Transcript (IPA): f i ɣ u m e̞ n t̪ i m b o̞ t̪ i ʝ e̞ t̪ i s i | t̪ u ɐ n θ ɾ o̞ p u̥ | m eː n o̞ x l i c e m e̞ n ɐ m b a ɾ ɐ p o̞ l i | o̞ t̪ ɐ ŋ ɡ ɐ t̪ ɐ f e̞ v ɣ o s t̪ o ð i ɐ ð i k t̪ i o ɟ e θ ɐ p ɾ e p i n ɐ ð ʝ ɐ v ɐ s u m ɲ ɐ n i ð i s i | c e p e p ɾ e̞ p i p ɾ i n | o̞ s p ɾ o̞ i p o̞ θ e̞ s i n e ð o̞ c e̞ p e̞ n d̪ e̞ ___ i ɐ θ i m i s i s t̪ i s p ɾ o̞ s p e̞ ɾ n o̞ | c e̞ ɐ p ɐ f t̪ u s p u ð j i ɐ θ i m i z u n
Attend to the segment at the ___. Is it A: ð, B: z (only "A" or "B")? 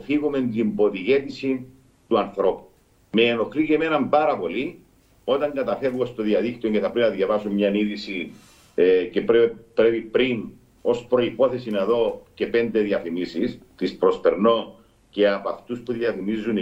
A